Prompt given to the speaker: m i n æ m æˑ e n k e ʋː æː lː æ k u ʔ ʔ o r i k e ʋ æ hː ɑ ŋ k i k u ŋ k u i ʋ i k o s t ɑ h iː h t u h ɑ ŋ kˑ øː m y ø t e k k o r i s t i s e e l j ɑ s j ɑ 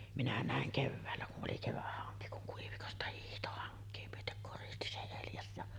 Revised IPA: m i n æ n æˑ e ŋ k e ʋː æː lː æ k u ʔ ʔ o l i k e ʋ æ hː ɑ ŋ k i k u ŋ k u i ʋ i k o s t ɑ h iː h t o h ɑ ŋ kˑ eː m y ø t e k k o r i s t i s e e l j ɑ s j ɑ